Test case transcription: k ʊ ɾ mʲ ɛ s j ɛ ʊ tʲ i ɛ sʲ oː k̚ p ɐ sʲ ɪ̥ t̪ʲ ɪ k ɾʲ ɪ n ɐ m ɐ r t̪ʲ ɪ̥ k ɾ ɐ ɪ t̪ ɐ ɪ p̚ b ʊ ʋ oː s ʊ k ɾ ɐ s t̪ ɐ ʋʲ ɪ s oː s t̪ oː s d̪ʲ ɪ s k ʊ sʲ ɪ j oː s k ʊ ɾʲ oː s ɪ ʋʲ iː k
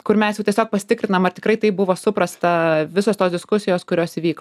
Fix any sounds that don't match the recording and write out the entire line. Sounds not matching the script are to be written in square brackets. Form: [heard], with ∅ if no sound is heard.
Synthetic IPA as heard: k ʊ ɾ mʲ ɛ s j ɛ ʊ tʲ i ɛ sʲ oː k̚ p ɐ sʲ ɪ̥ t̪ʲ ɪ k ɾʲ ɪ n ɐ m ɐ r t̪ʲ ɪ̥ k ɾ ɐ ɪ t̪ ɐ ɪ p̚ b ʊ ʋ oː s ʊ [p] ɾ ɐ s t̪ ɐ ʋʲ ɪ s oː s t̪ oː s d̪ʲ ɪ s k ʊ sʲ ɪ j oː s k ʊ ɾʲ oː s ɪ ʋʲ iː k